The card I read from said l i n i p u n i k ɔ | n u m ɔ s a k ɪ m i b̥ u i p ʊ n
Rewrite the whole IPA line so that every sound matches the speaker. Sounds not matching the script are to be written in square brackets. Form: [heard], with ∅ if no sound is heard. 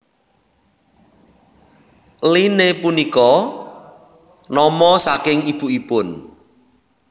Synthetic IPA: l i n [e] p u n i k ɔ | n [ɔ] m ɔ s a k ɪ [ŋ] i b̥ u i p ʊ n

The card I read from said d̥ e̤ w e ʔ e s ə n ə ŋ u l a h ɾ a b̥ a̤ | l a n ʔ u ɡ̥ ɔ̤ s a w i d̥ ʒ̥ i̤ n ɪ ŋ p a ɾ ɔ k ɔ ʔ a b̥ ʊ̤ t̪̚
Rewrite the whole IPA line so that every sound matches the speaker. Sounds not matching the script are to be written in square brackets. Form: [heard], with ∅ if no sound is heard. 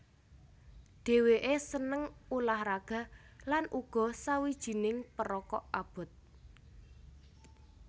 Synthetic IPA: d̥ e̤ w e ʔ e s ə n ə ŋ u l a h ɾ a [ɡ̥] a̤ | l a n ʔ u ɡ̥ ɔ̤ s a w i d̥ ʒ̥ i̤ n ɪ ŋ p [ə] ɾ ɔ k ɔ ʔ a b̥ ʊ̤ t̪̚

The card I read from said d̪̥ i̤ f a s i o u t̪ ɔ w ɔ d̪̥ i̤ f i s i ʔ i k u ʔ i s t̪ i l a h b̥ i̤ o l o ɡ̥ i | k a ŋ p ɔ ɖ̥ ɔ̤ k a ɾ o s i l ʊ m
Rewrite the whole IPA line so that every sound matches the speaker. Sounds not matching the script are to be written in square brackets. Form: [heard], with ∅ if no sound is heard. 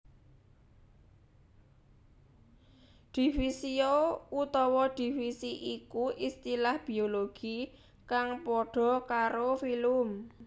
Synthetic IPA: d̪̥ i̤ f [i] s i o u t̪ ɔ w ɔ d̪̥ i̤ f i s i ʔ i k u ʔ i s t̪ i l a h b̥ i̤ o l o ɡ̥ i | k a ŋ p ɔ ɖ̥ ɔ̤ k a ɾ o [f] i l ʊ m

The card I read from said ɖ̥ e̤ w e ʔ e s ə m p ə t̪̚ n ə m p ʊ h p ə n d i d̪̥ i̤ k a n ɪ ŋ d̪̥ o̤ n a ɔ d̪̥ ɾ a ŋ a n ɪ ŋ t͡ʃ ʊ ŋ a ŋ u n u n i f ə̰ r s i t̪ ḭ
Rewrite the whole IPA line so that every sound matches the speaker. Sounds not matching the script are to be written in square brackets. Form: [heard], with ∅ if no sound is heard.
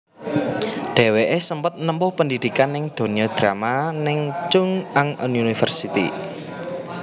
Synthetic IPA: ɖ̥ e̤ w e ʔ e s ə m p ə t̪̚ n ə m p ʊ h p ə n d i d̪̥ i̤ k a n ɪ ŋ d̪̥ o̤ n [i] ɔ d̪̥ ɾ a [m] a n ɪ ŋ t͡ʃ ʊ ŋ a ŋ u n u n i f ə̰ r s i t̪ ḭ

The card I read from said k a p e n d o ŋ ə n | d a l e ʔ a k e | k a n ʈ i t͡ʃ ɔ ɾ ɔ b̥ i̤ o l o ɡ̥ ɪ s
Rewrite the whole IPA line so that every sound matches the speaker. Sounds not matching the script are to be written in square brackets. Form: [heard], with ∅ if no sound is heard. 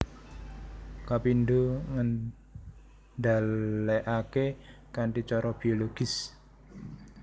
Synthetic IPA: k a p [i] n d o ŋ ə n | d a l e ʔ a k e | k a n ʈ i t͡ʃ ɔ ɾ ɔ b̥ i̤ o l o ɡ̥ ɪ s

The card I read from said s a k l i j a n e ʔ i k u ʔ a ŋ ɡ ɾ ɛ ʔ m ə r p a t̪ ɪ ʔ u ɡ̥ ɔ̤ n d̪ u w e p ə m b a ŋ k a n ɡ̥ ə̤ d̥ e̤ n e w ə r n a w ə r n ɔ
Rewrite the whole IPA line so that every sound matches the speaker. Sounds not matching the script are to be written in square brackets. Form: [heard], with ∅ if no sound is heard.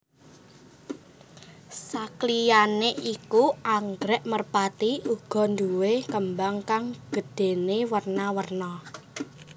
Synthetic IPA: s a k l i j a n e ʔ i k u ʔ a ŋ ɡ ɾ ɛ ʔ m ə r p a t̪ [i] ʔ u ɡ̥ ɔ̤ n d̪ u w e [k] ə m b a ŋ k a [ŋ] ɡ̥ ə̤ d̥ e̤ n e w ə r n a w ə r n ɔ

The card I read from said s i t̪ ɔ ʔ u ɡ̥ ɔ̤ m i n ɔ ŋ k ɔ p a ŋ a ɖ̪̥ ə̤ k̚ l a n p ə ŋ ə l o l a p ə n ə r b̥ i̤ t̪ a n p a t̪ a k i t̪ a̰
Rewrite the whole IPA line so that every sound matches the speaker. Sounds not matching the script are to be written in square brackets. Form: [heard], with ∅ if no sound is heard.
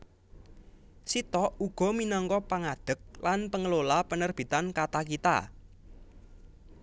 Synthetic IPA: s i t̪ ɔ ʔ u ɡ̥ ɔ̤ m i n ɔ ŋ k ɔ p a ŋ a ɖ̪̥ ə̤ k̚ l a n p ə ŋ ə l o l a p ə n ə r b̥ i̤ t̪ a n [k] a t̪ a k i t̪ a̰

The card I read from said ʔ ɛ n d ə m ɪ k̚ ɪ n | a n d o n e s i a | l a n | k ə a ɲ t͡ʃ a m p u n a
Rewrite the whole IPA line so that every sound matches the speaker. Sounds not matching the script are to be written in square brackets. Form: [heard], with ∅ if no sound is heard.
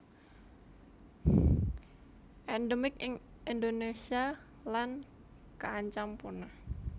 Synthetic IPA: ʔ ɛ n d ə m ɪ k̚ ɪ [ŋ] | [i] n d o n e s i a | l a n | k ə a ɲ t͡ʃ a m p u n a

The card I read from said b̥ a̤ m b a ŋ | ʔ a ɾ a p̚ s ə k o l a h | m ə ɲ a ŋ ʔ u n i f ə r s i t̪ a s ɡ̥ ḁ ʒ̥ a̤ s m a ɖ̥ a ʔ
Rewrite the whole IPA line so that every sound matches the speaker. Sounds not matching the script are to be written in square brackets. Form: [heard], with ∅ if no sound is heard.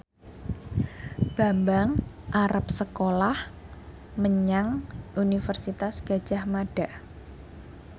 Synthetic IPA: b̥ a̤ m b a ŋ | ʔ a ɾ a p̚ s ə k o l a h | m ə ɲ a ŋ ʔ u n i f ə r s i t̪ a s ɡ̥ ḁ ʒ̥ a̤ [h] m a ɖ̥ a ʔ

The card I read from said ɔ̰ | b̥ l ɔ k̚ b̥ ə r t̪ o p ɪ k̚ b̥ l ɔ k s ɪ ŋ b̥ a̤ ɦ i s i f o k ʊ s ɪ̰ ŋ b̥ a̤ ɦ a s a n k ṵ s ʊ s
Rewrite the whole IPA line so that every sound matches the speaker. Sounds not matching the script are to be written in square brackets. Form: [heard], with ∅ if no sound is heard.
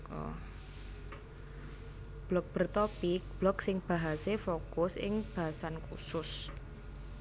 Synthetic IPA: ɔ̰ | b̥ l ɔ k̚ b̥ ə r t̪ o p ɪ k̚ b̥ l ɔ k s ɪ ŋ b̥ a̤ ɦ [a] s [e] f o k ʊ s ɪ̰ ŋ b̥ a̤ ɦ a s a n k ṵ s ʊ s

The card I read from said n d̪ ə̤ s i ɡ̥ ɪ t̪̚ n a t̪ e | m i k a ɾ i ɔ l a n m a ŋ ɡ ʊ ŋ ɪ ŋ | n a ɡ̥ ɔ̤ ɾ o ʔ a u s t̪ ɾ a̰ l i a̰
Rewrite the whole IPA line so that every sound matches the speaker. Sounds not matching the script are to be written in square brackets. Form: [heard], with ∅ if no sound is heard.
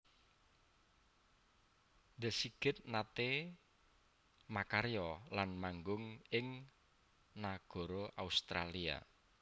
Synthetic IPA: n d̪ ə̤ s i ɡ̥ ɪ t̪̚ n a t̪ e | m [a] k a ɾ [j] ɔ l a n m a ŋ ɡ ʊ ŋ ɪ ŋ | n a ɡ̥ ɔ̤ ɾ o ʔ a u s t̪ ɾ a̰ l i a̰

